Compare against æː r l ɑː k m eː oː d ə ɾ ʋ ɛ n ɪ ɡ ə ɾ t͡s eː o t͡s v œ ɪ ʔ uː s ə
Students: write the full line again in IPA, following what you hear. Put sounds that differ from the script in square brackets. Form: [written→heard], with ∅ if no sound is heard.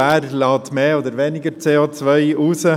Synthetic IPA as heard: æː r l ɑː [k→t] m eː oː d ə ɾ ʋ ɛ n ɪ ɡ ə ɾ t͡s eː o t͡s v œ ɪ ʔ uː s ə